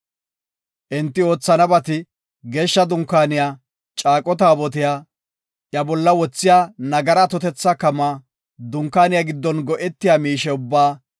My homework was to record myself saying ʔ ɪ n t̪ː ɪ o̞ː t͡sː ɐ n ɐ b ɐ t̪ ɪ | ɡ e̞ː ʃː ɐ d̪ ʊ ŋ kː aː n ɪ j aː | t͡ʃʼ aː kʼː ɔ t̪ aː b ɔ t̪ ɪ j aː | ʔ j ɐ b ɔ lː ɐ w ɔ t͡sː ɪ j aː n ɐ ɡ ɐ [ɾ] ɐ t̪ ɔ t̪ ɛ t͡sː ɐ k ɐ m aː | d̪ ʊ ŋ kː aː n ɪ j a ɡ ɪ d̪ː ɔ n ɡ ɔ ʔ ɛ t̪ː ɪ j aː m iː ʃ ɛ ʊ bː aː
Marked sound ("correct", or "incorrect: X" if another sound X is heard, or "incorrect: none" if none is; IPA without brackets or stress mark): correct